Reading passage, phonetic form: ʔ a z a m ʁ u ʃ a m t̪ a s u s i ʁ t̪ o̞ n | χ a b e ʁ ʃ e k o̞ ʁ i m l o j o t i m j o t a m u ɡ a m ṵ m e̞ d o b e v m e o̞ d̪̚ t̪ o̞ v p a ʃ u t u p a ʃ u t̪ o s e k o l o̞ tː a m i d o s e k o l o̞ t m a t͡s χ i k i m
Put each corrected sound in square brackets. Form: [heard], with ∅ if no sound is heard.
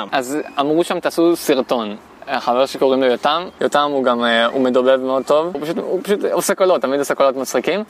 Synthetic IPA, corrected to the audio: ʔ a z a m ʁ u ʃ a m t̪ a s u s i ʁ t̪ o̞ n | χ a [v] e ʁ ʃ e k o̞ ʁ i m l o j o t [a] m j o t a m u ɡ a m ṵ m e̞ d o b e v m e o̞ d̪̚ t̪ o̞ v p a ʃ u t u p a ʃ u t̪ o s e k o l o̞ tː a m i d o s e k o l o̞ t m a t͡s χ i k i m